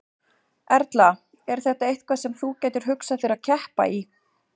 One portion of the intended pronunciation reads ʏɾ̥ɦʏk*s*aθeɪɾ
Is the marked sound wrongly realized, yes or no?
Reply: no